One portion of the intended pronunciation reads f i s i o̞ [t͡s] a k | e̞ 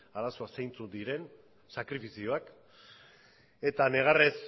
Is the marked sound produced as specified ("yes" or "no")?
no